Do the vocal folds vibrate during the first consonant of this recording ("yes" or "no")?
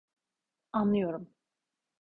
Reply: yes